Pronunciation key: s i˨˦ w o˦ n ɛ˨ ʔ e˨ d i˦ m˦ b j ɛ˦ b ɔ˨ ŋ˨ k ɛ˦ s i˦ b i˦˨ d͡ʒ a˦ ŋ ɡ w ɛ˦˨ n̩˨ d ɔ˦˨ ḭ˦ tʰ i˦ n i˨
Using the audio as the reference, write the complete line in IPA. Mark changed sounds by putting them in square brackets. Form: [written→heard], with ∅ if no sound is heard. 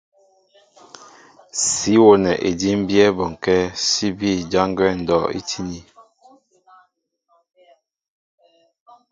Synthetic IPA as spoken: s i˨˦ w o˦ n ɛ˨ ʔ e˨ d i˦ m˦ b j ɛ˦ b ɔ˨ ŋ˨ k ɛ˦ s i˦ b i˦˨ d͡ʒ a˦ ŋ ɡ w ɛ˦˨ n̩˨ d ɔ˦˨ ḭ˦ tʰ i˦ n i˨